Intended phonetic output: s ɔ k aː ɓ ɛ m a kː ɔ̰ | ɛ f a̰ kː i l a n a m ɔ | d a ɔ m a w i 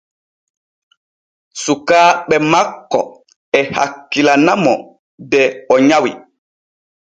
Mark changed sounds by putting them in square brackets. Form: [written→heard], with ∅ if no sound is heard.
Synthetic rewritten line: s [ɔ→u] k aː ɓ ɛ m a kː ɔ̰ | ɛ [f→h] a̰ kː i l a n a m ɔ | d [a→ɛ] ɔ [m→ɲ] a w i